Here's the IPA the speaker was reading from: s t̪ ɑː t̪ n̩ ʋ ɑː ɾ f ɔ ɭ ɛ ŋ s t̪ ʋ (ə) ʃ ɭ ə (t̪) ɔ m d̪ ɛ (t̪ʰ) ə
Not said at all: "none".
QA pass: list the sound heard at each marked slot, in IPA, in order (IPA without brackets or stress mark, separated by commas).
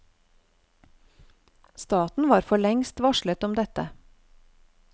ɑ, t̪, t̪